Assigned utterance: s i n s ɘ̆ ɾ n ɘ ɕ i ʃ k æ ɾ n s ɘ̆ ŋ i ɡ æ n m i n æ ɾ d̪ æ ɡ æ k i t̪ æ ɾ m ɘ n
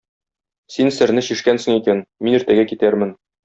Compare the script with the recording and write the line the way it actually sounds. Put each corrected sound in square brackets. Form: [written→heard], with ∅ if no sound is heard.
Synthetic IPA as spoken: s i n s ɘ̆ ɾ n ɘ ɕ i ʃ k æ [ɾ→∅] n s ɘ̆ ŋ i [ɡ→k] æ n m i n [æ→i] ɾ [d̪→t̪] æ ɡ æ k i t̪ æ ɾ m ɘ n